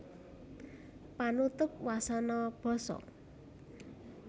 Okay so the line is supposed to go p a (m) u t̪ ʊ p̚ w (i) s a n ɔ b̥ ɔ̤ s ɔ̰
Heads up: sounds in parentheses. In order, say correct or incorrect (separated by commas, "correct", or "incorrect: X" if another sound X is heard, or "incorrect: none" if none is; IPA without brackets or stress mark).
incorrect: n, incorrect: a